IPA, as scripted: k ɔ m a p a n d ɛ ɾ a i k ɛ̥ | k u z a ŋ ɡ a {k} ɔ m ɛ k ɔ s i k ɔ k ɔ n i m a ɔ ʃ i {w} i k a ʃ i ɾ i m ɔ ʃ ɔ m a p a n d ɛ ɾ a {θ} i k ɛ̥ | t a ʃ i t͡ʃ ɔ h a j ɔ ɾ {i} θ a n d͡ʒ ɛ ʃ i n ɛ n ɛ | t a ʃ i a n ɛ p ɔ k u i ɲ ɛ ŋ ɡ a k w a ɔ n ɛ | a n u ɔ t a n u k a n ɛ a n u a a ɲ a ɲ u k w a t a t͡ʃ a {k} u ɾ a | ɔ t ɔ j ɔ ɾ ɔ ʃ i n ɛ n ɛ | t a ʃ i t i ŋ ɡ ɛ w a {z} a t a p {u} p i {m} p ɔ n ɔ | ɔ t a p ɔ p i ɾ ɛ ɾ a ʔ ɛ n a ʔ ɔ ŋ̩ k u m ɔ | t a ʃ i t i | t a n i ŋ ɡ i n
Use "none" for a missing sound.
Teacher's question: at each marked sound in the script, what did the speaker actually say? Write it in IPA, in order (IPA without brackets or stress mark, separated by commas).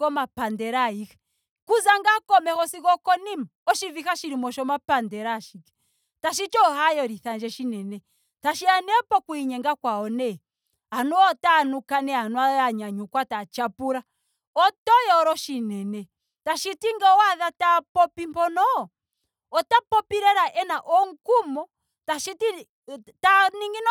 k, v, ʃ, i, p, ð, ɔ, m